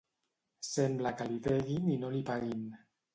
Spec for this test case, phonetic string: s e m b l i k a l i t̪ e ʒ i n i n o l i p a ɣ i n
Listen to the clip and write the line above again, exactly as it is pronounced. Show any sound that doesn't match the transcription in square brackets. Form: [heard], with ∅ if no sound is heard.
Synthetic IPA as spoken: s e m b l [a] k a l i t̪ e [ɣ] i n i n o l i p a ɣ i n